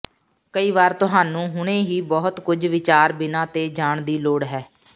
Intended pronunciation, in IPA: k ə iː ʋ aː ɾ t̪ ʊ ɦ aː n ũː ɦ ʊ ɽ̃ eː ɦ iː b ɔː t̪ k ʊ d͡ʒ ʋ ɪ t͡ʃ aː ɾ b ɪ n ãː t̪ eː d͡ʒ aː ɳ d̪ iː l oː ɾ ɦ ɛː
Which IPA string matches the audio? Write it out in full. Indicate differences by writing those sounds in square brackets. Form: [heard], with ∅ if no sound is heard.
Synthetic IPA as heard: k ə iː ʋ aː ɾ t̪ ʊ ɦ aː n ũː ɦ ʊ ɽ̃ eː ɦ iː b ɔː t̪ k ʊ d͡ʒ ʋ ɪ t͡ʃ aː ɾ b ɪ n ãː t̪ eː d͡ʒ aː ɳ d̪ iː l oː [ɽ] ɦ ɛː